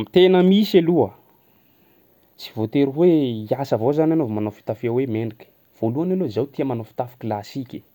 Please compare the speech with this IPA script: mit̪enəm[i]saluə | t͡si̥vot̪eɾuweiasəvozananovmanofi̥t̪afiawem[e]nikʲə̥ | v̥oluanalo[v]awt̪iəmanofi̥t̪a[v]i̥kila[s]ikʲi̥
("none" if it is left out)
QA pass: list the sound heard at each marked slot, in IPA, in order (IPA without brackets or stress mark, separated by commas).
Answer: i, e, z, f, s